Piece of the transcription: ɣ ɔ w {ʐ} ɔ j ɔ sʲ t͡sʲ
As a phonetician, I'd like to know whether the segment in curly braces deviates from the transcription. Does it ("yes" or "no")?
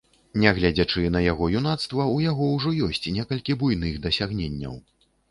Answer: no